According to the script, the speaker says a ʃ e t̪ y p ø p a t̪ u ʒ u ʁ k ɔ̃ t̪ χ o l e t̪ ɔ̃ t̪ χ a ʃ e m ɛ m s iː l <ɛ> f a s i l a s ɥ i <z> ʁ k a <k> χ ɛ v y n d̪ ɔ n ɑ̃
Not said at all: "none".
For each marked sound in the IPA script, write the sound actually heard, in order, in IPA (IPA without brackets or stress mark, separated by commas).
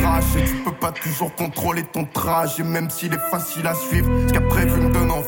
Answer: ɛ, v, p